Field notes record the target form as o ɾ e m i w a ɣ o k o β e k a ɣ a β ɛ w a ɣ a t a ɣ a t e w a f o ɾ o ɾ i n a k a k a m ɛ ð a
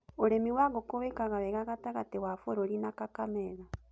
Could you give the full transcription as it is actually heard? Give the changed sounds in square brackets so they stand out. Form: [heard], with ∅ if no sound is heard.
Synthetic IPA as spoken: o ɾ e m i w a ɣ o k o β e k a ɣ a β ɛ [ɣ] a ɣ a t a ɣ a t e w a f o ɾ o ɾ i n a k a k a m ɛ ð a